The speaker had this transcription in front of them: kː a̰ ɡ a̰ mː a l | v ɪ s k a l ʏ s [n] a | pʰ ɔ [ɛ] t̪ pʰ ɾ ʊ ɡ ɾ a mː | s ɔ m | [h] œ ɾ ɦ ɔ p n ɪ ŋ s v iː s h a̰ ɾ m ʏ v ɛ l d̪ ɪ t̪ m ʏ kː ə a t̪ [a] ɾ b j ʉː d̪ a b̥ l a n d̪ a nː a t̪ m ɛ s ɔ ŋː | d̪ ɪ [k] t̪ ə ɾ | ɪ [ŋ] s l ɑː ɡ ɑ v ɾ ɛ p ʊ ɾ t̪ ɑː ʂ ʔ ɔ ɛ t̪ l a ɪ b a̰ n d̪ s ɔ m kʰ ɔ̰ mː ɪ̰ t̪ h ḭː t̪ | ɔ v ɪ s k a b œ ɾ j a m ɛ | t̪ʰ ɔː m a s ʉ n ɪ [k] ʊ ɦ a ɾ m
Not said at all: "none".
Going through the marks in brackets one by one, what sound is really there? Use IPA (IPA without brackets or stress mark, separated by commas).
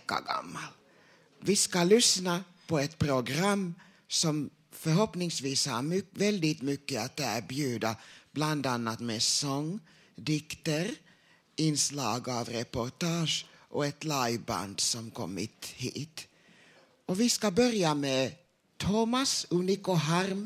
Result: n, ɛ, f, æ, k, n, k